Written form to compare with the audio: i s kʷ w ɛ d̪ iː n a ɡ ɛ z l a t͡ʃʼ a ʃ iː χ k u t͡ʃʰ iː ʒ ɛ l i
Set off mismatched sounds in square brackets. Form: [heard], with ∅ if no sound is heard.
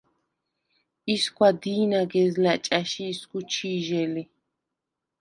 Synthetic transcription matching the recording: i s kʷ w [a] d̪ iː n a ɡ ɛ z l a t͡ʃʼ a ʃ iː [s] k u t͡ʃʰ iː ʒ ɛ l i